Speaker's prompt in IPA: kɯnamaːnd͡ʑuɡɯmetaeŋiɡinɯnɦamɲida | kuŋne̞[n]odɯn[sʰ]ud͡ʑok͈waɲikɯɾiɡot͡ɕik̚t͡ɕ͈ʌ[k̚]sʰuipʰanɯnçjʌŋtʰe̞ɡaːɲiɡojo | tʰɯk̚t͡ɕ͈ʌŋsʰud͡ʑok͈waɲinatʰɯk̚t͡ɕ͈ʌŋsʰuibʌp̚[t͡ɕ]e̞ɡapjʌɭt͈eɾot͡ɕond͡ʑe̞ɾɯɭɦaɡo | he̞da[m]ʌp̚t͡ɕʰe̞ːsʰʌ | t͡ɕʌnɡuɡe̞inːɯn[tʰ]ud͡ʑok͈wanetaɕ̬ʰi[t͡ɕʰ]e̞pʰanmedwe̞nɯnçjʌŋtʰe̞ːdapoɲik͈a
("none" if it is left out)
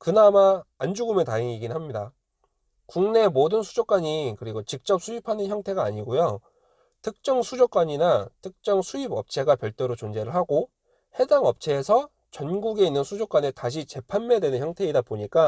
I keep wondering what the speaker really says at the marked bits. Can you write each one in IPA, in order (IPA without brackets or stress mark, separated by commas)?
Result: m, sʰ, p̚, t͡ɕʰ, ŋ, sʰ, t͡ɕ